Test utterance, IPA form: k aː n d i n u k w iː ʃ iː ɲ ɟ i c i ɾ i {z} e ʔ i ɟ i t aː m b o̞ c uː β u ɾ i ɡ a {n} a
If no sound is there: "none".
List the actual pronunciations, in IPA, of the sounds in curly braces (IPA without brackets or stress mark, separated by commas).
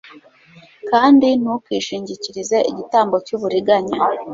z, ɲ